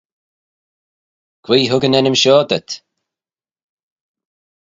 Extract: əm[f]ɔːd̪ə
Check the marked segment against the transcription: incorrect: ʃ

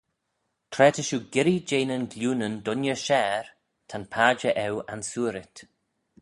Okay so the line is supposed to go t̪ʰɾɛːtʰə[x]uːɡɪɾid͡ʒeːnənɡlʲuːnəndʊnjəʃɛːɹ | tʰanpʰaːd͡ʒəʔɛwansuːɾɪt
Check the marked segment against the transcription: incorrect: ʃ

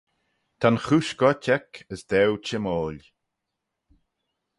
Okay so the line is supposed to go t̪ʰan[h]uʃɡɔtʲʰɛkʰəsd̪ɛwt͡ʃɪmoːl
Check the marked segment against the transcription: incorrect: x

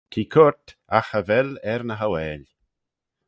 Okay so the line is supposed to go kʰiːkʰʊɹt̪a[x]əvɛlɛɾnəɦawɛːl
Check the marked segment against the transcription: correct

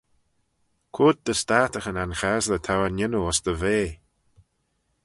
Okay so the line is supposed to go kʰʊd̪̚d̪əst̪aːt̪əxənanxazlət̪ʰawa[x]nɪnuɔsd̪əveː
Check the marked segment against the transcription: incorrect: none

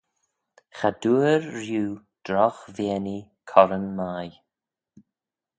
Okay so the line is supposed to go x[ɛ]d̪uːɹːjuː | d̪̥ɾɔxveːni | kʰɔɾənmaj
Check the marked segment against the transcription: incorrect: a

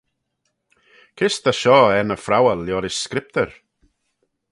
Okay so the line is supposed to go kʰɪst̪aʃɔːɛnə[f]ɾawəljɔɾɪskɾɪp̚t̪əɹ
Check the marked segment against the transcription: correct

